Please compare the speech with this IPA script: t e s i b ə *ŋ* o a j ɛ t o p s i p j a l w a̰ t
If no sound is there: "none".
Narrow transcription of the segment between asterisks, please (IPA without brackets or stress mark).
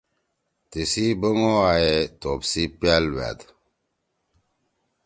ŋ